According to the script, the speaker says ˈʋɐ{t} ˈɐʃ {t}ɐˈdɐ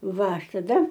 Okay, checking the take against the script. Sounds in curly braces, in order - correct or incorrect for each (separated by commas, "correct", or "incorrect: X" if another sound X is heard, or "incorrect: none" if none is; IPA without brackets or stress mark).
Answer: incorrect: none, correct